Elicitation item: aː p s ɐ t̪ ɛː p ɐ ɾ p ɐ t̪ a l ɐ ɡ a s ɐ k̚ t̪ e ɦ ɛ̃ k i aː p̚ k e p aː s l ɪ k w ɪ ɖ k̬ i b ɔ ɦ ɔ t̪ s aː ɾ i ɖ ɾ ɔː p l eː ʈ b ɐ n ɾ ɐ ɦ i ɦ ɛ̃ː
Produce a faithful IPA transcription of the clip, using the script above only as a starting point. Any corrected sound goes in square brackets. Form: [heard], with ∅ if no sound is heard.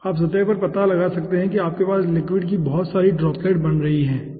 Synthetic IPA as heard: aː p s ɐ t̪ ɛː p ɐ ɾ p ɐ t̪ a l ɐ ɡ a s ɐ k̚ t̪ e ɦ ɛ̃ k i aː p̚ k e p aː s l ɪ k w ɪ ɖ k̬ i b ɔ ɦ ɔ t̪ s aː ɾ i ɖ ɾ ɔː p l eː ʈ b ɐ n ɾ ɐ ɦ i ɦ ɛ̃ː